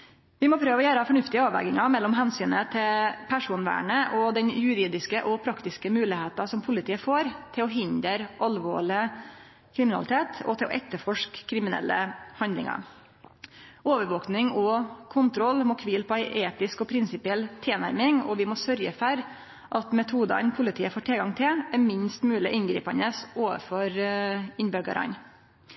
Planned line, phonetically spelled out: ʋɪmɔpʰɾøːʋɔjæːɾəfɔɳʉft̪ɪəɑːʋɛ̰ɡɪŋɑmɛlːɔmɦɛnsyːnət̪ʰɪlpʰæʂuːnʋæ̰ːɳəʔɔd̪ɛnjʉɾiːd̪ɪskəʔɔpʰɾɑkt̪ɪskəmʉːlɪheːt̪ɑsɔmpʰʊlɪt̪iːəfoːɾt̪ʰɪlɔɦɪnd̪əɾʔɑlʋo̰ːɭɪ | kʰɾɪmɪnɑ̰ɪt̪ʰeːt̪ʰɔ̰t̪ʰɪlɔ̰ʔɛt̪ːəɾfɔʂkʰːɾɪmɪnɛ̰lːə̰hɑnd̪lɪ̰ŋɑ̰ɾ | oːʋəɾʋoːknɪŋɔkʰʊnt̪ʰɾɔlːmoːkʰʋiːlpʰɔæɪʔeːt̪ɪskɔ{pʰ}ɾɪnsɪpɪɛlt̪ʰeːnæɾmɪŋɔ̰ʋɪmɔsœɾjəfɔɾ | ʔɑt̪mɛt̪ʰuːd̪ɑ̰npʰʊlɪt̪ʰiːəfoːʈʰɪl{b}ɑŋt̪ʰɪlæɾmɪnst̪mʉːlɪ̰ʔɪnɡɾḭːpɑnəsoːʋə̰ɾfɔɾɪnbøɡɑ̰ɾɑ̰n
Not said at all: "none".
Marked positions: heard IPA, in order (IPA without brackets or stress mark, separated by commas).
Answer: pʰ, ɡ